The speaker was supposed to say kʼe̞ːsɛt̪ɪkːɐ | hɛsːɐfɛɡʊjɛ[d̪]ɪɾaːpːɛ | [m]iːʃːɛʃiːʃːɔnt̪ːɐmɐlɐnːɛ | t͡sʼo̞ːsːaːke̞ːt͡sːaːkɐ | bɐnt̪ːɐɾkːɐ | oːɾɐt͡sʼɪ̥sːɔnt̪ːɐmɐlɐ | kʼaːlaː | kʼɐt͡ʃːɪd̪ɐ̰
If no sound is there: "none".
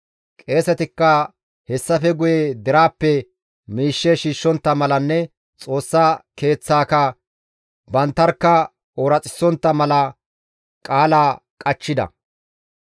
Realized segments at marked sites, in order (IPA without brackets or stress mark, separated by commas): d̪, m